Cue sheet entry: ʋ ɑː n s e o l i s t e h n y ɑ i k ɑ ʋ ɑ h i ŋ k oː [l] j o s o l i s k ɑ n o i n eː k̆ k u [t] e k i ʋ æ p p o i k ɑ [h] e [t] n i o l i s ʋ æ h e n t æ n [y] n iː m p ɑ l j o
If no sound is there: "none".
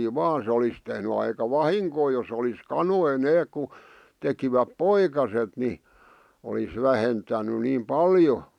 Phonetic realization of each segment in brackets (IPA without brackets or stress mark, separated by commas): none, t, s, t, y